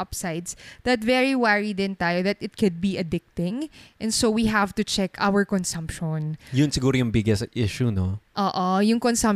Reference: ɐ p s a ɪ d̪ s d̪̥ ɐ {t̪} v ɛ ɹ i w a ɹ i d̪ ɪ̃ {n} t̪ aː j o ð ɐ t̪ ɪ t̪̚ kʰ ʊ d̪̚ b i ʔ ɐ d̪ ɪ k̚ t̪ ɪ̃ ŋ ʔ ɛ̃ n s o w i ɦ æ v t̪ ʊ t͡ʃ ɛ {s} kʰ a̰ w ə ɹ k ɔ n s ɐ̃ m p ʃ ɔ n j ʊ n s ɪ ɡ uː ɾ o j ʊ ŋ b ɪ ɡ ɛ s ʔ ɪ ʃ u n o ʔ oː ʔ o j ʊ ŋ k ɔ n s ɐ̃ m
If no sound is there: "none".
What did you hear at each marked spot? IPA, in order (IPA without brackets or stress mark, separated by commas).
t̪, n, none